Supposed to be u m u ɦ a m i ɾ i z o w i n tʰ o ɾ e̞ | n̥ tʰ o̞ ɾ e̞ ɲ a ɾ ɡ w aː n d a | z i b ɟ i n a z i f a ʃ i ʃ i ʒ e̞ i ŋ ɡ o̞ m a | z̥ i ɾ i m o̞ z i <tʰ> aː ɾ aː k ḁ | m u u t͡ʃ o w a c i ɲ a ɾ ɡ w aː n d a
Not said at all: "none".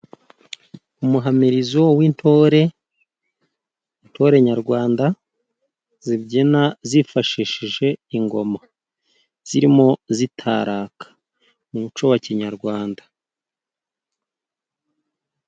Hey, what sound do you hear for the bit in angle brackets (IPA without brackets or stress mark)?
tʰ